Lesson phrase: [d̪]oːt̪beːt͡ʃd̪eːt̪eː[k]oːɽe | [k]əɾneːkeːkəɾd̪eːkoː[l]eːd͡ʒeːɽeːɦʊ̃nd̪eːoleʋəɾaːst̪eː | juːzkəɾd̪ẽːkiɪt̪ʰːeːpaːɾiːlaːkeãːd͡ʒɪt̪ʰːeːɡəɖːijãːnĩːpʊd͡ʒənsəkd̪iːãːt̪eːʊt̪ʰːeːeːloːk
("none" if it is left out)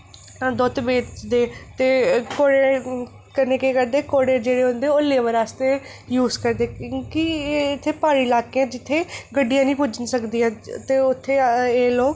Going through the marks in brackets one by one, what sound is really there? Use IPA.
d̪, k, k, ɽ

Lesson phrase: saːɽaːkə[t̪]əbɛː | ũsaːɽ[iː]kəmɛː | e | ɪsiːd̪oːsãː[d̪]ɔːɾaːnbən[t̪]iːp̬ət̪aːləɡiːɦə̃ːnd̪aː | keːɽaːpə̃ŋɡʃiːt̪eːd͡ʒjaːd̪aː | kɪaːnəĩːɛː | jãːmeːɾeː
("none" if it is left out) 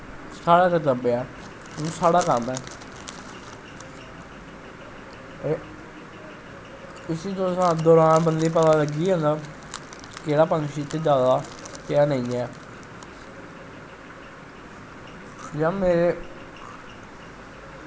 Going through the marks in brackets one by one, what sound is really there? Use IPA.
t̪, aː, d̪, d̪

